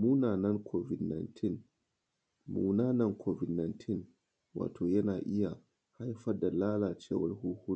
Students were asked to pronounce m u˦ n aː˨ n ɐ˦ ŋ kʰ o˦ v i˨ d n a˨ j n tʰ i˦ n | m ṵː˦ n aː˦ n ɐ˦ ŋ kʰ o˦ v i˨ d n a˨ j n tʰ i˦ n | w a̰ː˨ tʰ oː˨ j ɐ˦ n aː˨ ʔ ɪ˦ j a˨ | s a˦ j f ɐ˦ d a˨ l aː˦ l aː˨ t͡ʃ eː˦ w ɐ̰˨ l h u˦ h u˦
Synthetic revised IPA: m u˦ n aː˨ n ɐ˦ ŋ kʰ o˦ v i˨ d n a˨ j n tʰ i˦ n | m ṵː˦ n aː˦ n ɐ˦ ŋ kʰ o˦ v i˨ d n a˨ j n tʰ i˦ n | w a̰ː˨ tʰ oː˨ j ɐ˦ n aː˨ ʔ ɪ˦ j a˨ | h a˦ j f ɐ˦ d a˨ l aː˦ l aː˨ t͡ʃ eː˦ w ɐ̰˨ l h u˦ h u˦